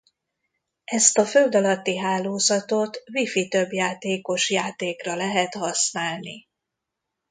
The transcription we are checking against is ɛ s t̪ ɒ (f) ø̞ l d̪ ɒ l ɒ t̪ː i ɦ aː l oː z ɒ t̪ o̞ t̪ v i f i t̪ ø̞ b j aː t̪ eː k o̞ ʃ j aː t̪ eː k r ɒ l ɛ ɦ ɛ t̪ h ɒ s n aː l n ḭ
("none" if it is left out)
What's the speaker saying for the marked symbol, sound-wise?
f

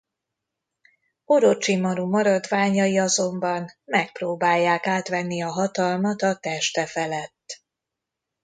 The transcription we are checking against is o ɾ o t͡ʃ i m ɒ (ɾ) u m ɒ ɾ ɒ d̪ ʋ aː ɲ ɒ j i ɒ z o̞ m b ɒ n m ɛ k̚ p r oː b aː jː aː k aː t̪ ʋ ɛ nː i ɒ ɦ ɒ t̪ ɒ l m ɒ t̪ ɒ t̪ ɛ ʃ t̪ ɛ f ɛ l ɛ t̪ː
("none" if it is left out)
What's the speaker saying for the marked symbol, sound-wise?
ɾ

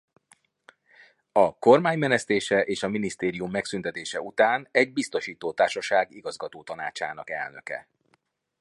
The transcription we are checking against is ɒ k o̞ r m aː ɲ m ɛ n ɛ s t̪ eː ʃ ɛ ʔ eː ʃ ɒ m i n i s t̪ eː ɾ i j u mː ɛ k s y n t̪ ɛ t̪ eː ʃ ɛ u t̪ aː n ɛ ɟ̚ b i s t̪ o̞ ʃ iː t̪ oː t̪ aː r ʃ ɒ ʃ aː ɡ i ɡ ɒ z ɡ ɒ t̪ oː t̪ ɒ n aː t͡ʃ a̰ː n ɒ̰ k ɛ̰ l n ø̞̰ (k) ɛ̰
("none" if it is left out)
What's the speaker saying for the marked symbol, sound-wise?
k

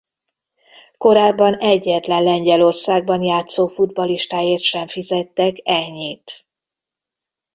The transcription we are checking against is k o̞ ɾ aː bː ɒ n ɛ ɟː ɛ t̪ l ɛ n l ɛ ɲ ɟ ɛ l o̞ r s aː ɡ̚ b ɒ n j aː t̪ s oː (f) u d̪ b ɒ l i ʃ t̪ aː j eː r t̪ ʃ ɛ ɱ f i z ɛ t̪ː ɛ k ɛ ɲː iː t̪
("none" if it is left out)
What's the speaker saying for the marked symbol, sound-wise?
f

